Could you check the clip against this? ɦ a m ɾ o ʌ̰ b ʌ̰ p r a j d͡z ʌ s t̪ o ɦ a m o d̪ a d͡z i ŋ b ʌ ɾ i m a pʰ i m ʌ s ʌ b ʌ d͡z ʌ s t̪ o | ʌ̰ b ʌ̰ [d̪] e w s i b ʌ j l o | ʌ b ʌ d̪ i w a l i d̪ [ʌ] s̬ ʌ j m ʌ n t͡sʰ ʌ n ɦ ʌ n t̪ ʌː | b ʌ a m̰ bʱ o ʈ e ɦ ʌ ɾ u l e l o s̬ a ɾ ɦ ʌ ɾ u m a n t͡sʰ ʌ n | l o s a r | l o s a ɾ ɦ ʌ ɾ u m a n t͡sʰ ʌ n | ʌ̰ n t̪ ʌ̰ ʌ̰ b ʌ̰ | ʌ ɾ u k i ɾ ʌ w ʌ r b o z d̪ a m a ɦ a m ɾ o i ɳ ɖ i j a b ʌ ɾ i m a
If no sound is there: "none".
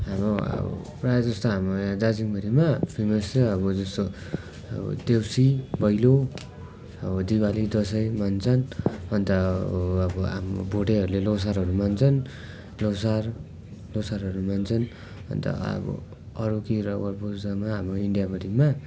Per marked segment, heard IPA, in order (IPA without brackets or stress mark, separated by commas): d̪, ʌ